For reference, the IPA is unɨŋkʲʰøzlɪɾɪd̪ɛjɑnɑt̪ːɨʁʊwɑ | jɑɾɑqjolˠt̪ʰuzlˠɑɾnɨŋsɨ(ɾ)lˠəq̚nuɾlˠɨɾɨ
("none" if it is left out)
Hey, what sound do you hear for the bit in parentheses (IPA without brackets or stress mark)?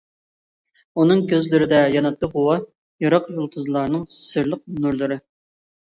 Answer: ɾ